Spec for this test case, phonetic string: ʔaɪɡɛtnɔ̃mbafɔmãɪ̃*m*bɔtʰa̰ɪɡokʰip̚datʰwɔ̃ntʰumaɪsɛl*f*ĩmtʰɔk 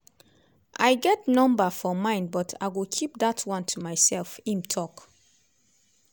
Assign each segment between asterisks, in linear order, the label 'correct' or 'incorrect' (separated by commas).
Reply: incorrect, correct